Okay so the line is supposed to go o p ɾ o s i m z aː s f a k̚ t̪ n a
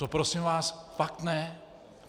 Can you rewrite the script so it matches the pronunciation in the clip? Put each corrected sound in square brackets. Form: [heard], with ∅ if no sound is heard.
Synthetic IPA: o p ɾ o s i m [v] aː s f a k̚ t̪ n [ɛ]

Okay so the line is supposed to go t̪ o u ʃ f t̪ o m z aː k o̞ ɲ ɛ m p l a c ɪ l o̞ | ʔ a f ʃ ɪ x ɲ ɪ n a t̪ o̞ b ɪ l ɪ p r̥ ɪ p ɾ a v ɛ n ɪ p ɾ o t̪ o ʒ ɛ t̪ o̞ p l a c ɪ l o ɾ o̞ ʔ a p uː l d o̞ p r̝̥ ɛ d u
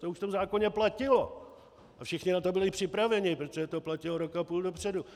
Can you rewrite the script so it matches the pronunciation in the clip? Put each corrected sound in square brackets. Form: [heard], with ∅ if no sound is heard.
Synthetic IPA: t̪ o u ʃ f t̪ o m z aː k o̞ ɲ ɛ [∅] p l a c ɪ l o̞ | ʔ a f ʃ ɪ x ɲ ɪ n a t̪ o̞ b ɪ l ɪ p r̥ ɪ p ɾ a v ɛ [ɲ] ɪ p ɾ o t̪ o ʒ ɛ t̪ o̞ p l a c ɪ l o ɾ o̞ [k] a p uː l d o̞ p r̝̥ ɛ d u

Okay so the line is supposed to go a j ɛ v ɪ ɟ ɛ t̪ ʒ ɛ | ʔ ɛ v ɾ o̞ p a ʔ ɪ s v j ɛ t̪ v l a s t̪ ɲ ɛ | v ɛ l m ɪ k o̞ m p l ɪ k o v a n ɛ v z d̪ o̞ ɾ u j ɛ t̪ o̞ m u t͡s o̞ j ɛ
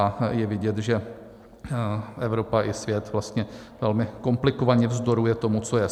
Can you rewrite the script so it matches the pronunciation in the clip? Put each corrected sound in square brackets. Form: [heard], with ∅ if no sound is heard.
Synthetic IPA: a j ɛ v ɪ ɟ ɛ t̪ ʒ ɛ | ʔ ɛ v ɾ o̞ p a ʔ ɪ s v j ɛ t̪ v l a s t̪ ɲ ɛ | v ɛ l m ɪ k o̞ m p l ɪ k o v a [ɲ] ɛ v z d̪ o̞ ɾ u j ɛ t̪ o̞ m u t͡s o̞ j ɛ

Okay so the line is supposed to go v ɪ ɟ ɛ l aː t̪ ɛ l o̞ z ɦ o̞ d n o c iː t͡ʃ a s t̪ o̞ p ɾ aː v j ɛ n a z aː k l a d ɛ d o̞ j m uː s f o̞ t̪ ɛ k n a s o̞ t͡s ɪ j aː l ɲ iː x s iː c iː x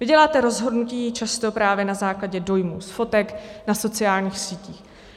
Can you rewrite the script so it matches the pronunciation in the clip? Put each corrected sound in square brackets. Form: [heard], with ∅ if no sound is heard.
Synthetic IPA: v ɪ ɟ ɛ l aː t̪ ɛ [ɾ] o̞ z ɦ o̞ d n [u] c iː t͡ʃ a s t̪ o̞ p ɾ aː v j ɛ n a z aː k l a [ɟ] ɛ d o̞ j m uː s f o̞ t̪ ɛ k n a s o̞ t͡s ɪ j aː l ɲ iː x s iː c iː x

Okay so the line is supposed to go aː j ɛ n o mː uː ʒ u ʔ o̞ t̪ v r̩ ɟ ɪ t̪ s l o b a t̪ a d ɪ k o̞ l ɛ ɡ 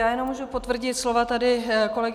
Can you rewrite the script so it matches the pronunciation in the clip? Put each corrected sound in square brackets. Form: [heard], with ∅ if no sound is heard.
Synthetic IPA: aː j ɛ n o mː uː ʒ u [p] o̞ t̪ v r̩ ɟ ɪ t̪ s l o [v] a t̪ a d ɪ k o̞ l ɛ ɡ

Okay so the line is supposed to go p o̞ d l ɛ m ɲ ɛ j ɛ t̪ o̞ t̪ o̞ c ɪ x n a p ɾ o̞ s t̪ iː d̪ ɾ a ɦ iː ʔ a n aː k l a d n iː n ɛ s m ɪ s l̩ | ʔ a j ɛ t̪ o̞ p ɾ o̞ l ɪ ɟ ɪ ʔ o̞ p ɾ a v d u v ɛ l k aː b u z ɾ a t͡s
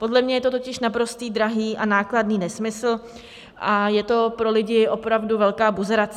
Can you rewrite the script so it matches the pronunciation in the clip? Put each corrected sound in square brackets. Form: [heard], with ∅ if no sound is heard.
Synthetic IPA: p o̞ d l ɛ m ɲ ɛ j ɛ t̪ o̞ t̪ o̞ c ɪ [ʃ] n a p ɾ o̞ s t̪ iː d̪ ɾ a ɦ iː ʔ a n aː k l a d n iː n ɛ s m ɪ s l̩ | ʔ a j ɛ t̪ o̞ p ɾ o̞ l ɪ ɟ ɪ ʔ o̞ p ɾ a v d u v ɛ l k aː b u z ɾ a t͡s

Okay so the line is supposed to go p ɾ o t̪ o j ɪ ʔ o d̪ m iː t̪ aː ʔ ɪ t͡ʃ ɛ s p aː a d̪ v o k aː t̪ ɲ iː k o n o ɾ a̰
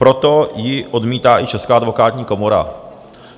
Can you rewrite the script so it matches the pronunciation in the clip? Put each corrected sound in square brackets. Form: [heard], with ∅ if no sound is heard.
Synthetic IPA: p ɾ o t̪ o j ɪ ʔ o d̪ m iː t̪ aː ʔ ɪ t͡ʃ ɛ s [k] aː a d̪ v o k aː t̪ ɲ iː k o [m] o ɾ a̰

